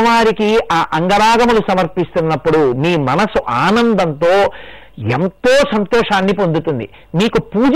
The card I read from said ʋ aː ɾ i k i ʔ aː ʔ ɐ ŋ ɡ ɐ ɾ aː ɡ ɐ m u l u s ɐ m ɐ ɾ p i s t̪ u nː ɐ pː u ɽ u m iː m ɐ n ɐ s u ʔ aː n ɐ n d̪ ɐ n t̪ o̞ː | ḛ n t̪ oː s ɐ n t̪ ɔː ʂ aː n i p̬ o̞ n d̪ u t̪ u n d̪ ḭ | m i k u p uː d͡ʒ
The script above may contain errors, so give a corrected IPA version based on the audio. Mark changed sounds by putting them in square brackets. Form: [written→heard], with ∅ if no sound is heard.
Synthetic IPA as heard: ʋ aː ɾ i k i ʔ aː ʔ ɐ ŋ ɡ ɐ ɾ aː ɡ ɐ m u l u s ɐ m ɐ ɾ p i s t̪ u nː ɐ pː u ɽ u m iː m ɐ n ɐ s u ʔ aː n ɐ n d̪ ɐ n t̪ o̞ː | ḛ n t̪ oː s ɐ n t̪ ɔː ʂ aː [n→nː] i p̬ o̞ n d̪ u t̪ u n d̪ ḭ | m [i→iː] k u p uː d͡ʒ